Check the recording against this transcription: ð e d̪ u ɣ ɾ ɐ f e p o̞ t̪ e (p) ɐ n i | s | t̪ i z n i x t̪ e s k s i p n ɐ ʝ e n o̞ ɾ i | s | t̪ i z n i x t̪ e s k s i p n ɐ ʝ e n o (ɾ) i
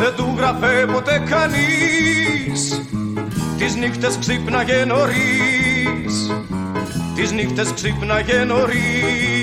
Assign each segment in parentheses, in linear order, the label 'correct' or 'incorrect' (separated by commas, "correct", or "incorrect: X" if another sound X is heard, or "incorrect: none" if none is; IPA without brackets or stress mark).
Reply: incorrect: k, correct